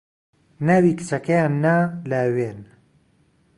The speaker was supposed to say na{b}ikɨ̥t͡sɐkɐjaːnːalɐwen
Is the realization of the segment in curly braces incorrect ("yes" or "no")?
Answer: yes